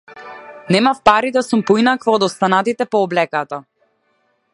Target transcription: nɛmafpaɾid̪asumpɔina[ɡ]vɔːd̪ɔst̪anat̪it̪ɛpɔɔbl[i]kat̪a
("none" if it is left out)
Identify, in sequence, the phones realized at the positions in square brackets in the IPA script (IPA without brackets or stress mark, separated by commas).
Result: k, ɛ